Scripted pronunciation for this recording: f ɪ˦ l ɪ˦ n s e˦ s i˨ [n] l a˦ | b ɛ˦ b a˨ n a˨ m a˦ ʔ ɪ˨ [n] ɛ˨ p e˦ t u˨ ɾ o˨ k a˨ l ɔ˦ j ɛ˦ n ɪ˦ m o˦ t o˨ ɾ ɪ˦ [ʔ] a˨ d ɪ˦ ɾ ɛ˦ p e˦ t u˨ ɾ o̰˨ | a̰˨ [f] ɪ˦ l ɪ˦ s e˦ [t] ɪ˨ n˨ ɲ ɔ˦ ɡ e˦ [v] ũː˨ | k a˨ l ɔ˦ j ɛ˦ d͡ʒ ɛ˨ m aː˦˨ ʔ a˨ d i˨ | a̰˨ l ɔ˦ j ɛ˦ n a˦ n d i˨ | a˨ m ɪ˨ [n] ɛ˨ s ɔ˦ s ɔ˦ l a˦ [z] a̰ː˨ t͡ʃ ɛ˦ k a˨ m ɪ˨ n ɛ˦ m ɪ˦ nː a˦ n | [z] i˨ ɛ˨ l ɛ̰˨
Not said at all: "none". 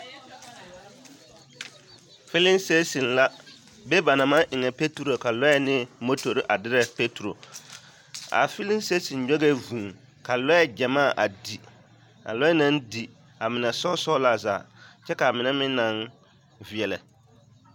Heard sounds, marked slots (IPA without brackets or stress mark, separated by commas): n, ŋ, ʔ, f, s, v, n, z, v